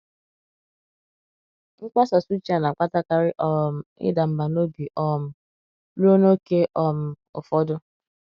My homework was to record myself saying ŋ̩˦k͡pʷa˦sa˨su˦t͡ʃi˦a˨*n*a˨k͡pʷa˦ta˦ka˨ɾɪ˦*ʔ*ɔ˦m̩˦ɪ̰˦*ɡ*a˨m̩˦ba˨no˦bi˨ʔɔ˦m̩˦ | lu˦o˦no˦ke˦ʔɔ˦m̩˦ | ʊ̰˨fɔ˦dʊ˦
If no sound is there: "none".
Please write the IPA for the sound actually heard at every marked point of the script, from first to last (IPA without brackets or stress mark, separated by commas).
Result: n, ʔ, d